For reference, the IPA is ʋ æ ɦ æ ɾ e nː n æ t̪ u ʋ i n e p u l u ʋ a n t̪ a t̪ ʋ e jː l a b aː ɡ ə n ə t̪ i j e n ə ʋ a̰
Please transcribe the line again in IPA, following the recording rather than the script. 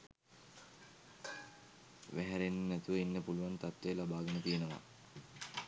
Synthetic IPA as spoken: ʋ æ ɦ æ ɾ e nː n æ t̪ u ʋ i nː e p u l u ʋ a n t̪ a t̪ ʋ e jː l a b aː ɡ ə n ə t̪ i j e n ə ʋ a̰